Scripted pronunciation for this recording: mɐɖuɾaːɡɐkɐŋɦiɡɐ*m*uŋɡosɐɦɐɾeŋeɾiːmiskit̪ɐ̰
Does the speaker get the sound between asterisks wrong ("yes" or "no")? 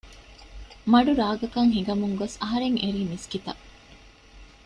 no